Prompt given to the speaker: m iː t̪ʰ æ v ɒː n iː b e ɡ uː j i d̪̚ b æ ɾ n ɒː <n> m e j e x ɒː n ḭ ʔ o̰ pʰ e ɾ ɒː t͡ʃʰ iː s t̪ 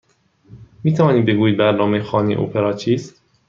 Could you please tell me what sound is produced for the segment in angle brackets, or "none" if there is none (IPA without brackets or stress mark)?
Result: none